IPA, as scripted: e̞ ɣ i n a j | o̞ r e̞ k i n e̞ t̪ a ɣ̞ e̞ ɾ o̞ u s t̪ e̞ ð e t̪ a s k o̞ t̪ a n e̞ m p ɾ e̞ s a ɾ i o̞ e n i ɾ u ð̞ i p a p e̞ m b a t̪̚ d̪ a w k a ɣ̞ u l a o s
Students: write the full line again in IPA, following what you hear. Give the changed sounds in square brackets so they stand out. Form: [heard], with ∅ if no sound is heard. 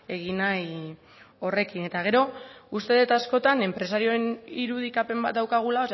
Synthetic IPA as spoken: e̞ ɣ i n a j | o̞ r e̞ k i n e̞ t̪ a ɣ̞ e̞ ɾ o̞ u s t̪ e̞ ð e t̪ a s k o̞ t̪ a n e̞ m p ɾ e̞ s a ɾ i o̞ e n i ɾ u ð̞ i [k] a p e̞ m b a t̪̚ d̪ a w k a ɣ̞ u l a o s

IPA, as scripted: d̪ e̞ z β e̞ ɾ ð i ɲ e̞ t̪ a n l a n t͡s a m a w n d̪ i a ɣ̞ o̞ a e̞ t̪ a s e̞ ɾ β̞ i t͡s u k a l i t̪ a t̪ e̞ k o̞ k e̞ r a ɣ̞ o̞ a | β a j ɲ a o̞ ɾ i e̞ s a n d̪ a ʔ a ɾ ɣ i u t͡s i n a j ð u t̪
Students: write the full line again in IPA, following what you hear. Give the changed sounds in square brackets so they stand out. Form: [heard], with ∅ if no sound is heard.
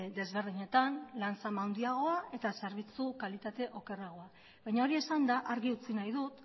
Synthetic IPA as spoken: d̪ e̞ z β e̞ ɾ ð i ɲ e̞ t̪ a n l a n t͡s a m a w n d̪ i a ɣ̞ o̞ a e̞ t̪ a s e̞ ɾ β̞ i t͡s u k a l i t̪ a t̪ e̞ [ʔ] o̞ k e̞ r a ɣ̞ o̞ a | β a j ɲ a o̞ ɾ i e̞ s a n d̪ a ʔ a ɾ ɣ i u t͡s i n a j ð u t̪

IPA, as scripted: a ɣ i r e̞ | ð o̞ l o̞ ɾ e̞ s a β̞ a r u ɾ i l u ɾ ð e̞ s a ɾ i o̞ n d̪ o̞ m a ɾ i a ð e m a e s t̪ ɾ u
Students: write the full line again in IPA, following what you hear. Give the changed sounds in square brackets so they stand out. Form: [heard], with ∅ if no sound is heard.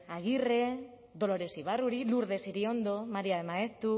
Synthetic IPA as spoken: a ɣ i r e̞ | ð o̞ l o̞ ɾ e̞ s [i] β̞ a r u ɾ i l u ɾ ð e̞ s [i] ɾ i o̞ n d̪ o̞ m a ɾ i a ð e m a e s t̪ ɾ u

